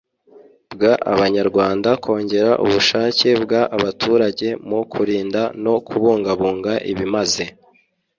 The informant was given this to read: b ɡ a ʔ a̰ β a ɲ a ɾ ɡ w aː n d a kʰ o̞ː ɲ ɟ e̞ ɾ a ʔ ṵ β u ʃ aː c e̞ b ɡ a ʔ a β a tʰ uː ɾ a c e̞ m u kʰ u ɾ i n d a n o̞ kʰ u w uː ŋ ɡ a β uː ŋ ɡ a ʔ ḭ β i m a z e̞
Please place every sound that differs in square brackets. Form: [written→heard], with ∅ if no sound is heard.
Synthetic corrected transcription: b ɡ a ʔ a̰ β a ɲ a ɾ ɡ w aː n d a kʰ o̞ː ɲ ɟ e̞ ɾ a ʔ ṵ β u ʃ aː c e̞ b ɡ a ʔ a β a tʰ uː ɾ a [c→ɟ] e̞ m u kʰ u ɾ [i→iː] n d a n o̞ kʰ u [w→β] uː ŋ ɡ a β uː ŋ ɡ a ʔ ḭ β i m a z e̞